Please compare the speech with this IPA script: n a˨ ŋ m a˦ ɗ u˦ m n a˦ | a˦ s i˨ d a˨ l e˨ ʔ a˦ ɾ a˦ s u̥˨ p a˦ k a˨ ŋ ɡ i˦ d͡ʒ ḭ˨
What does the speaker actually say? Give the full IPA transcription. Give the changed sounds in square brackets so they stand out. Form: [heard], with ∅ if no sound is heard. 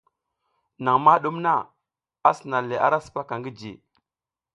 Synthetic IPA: n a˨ ŋ m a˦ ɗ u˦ m n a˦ | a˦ s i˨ [n] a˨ l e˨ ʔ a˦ ɾ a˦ s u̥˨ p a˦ k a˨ ŋ ɡ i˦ d͡ʒ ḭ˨